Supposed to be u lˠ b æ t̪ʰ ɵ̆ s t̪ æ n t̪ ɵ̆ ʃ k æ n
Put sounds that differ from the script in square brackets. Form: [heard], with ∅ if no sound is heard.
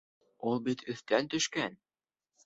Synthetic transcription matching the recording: u lˠ b [i] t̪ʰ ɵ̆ [θ] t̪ æ n t̪ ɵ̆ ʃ k æ n